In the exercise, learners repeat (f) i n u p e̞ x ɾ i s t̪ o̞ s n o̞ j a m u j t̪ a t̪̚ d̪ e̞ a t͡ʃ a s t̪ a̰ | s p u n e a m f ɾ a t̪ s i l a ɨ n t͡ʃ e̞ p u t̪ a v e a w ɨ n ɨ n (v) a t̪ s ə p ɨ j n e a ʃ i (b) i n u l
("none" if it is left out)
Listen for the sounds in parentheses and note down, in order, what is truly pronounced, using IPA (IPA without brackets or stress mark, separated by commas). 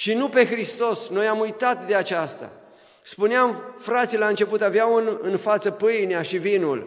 ʃ, f, v